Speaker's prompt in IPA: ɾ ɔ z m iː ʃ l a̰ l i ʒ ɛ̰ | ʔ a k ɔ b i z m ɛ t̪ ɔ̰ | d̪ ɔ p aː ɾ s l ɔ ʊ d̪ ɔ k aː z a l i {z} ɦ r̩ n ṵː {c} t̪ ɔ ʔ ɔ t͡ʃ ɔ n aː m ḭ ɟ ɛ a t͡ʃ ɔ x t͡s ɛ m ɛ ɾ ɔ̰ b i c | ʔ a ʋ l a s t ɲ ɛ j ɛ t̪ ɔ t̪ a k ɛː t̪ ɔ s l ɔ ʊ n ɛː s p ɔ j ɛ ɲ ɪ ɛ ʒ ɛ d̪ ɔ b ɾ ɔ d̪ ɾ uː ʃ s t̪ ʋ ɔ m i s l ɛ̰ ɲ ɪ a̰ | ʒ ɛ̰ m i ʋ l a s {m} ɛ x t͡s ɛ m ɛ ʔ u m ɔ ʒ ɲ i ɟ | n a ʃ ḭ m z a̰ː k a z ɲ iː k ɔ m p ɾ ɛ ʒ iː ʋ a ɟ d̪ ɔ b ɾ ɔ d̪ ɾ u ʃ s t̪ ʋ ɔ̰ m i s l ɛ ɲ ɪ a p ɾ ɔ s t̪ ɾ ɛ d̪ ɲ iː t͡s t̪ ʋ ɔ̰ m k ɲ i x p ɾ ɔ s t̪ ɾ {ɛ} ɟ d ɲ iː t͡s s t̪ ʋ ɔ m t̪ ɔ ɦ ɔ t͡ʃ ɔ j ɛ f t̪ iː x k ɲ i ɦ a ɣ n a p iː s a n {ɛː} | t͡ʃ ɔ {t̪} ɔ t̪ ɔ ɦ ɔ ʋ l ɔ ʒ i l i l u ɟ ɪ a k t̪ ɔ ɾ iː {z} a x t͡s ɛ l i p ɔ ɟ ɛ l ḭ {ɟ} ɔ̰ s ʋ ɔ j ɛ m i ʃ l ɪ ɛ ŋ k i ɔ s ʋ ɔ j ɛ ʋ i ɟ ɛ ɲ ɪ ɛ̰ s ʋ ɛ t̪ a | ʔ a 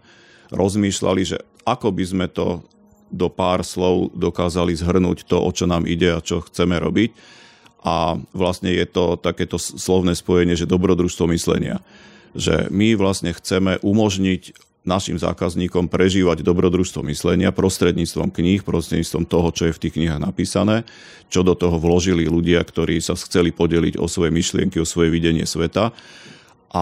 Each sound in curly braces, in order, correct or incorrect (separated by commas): correct, correct, incorrect, correct, correct, incorrect, incorrect, correct